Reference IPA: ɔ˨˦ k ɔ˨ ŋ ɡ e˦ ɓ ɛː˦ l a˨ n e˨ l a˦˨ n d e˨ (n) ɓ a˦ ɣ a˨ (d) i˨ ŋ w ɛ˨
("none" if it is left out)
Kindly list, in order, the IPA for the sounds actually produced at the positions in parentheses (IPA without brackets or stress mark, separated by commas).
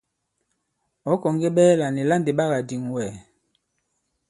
none, d